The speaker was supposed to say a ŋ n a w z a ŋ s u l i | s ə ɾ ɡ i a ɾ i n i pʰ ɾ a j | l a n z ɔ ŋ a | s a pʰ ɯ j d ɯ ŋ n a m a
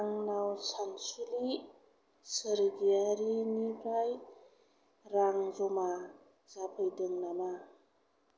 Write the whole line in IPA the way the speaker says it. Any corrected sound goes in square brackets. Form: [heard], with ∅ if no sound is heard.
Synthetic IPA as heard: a ŋ n a w [s] a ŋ s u l i | s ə ɾ ɡ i a ɾ i n i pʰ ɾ a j | [ɾ] a [ŋ] z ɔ [m] a | [z] a pʰ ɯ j d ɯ ŋ n a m a